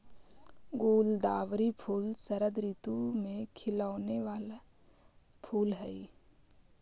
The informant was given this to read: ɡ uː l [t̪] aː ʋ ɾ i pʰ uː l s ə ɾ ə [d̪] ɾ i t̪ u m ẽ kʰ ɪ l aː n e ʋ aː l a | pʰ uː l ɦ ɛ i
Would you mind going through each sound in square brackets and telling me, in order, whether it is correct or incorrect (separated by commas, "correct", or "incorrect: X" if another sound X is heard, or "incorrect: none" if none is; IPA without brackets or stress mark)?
incorrect: d̪, correct